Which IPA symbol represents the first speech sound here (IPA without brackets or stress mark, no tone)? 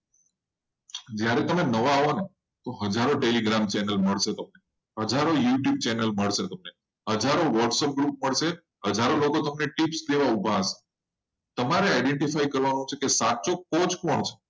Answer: d͡ʒ